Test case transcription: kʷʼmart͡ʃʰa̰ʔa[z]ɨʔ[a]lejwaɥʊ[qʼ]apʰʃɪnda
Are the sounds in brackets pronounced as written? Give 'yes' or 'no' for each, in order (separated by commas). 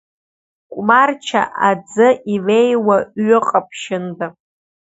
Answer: no, no, yes